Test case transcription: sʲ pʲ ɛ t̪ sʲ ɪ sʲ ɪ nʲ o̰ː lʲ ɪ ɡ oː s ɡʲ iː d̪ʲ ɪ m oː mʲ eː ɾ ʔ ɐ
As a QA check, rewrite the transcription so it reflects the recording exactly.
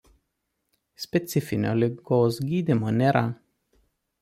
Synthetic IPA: sʲ pʲ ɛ t̪ sʲ ɪ fʲ ɪ nʲ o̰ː lʲ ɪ ɡ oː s ɡʲ iː d̪ʲ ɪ m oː nʲ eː ɾ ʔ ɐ